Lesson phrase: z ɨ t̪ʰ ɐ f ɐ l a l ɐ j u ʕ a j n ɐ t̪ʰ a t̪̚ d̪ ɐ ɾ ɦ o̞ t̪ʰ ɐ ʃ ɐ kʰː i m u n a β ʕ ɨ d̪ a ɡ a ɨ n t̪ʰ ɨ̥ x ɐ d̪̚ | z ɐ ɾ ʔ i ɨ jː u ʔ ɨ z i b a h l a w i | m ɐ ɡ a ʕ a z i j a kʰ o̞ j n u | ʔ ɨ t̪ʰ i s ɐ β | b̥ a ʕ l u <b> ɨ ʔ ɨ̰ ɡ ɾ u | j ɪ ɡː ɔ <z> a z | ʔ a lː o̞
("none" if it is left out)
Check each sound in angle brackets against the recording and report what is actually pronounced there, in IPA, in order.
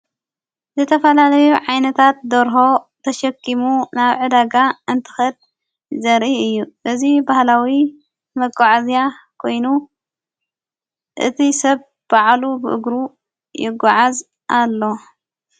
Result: b, ʕ

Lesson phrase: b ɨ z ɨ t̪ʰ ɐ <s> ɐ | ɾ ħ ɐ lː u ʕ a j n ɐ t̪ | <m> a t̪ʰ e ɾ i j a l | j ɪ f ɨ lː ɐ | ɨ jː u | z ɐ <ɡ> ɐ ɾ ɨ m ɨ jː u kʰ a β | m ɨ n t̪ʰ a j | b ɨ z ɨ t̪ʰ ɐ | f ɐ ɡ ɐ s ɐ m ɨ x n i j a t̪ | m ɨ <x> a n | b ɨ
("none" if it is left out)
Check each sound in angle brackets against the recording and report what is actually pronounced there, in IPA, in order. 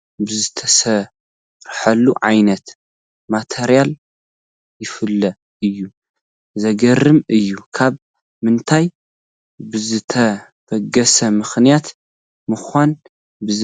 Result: s, m, ɡ, x

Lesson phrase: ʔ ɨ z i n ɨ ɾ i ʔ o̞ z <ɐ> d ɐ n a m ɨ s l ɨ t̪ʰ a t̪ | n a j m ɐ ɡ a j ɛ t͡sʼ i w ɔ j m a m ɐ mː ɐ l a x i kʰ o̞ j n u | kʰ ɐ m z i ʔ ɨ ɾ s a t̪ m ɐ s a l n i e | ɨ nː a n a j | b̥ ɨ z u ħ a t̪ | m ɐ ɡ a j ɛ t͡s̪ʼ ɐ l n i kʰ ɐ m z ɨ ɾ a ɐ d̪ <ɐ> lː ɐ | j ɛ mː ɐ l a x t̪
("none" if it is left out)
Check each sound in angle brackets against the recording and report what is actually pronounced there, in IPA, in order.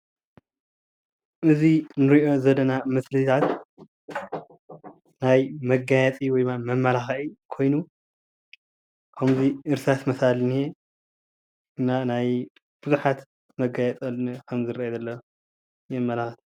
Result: ɐ, ɐ

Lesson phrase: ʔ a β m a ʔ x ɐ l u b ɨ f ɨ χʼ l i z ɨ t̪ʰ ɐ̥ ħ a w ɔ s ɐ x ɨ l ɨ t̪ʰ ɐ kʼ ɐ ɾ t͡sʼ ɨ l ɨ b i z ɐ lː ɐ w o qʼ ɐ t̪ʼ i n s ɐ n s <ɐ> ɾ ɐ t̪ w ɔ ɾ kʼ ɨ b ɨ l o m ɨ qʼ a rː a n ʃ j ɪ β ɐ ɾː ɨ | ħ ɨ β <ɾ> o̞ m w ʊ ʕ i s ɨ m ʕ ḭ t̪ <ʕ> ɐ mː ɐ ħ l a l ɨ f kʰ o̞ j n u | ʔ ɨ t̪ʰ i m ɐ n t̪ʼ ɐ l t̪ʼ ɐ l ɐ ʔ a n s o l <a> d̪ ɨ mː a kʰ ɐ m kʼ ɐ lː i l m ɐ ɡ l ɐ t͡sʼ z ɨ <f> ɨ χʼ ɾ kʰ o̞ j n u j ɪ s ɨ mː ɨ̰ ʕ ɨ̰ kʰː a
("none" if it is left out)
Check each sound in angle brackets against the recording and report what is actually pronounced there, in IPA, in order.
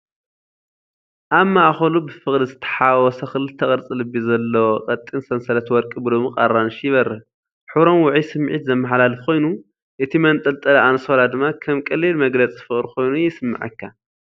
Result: ɐ, ɾ, z, a, f

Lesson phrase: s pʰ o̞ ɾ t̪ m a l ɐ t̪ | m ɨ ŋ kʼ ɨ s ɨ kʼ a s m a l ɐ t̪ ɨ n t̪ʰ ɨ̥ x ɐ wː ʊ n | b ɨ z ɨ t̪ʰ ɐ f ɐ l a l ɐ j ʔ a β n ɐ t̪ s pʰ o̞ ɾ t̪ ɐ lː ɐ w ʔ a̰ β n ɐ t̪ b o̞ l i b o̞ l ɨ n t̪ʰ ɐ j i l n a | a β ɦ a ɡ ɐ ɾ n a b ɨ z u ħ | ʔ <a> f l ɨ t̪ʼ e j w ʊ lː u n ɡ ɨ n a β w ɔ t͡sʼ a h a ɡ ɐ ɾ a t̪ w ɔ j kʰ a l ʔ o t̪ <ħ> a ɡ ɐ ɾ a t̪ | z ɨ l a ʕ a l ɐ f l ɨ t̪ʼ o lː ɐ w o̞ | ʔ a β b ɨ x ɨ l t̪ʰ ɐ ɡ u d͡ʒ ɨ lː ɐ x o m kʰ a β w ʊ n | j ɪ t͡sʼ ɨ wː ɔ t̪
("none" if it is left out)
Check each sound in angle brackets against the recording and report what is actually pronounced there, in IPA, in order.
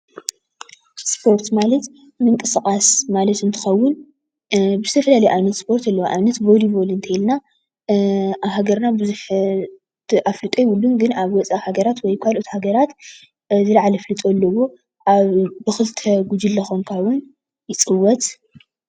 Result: a, h

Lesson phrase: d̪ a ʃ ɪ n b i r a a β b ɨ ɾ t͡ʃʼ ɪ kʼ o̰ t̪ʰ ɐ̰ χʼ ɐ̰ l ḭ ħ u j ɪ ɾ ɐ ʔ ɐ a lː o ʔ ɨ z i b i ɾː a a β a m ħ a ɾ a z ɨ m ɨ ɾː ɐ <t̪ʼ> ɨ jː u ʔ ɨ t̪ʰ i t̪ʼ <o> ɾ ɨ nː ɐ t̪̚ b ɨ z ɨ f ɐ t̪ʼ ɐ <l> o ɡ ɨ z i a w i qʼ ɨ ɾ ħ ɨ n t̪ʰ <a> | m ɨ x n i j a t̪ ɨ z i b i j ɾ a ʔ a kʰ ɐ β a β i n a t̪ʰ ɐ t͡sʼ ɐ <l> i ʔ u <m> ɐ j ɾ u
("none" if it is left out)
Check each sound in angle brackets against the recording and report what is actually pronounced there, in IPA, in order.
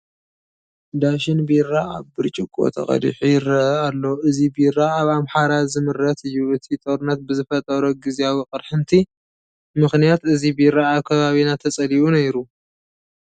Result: t̪, o, ɾ, i, l, n

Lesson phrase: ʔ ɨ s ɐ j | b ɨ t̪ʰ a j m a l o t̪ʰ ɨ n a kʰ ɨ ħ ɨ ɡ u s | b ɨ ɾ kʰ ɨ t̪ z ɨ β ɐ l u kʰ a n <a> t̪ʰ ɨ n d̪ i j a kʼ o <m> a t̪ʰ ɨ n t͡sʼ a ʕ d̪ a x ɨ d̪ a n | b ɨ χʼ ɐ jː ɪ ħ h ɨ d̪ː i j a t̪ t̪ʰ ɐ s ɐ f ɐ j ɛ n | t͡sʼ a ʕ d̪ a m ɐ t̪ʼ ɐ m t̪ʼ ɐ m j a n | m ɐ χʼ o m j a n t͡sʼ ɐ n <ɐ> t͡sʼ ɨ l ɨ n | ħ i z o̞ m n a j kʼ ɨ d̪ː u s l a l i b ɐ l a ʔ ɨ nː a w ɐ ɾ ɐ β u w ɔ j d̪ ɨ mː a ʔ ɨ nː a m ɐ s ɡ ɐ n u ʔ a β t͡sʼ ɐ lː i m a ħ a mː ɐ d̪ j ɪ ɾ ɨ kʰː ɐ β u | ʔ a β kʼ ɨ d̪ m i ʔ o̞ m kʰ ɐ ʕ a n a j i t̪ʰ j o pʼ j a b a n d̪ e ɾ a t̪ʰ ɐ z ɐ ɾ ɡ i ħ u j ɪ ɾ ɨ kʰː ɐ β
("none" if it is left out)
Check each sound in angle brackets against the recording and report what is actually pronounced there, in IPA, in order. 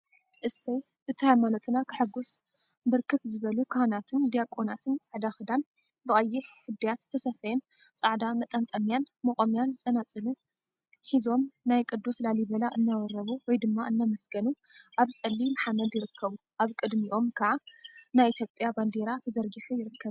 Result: a, n, a

